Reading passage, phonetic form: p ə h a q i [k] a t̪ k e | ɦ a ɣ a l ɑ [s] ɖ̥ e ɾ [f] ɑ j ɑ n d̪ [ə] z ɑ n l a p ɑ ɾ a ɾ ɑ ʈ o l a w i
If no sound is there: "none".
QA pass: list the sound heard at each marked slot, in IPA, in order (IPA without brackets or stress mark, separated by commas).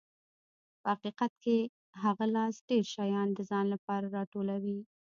q, s, ʃ, ə